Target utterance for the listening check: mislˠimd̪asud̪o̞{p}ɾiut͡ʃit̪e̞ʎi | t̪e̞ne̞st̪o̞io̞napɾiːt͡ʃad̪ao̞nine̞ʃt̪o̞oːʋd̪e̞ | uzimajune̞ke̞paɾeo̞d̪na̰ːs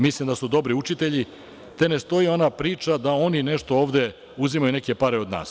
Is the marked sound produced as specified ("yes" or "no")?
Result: no